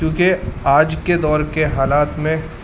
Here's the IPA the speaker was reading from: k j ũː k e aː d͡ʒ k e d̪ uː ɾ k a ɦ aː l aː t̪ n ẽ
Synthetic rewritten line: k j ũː k e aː d͡ʒ k e d̪ ɔː ɾ k e ɦ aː l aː t̪ m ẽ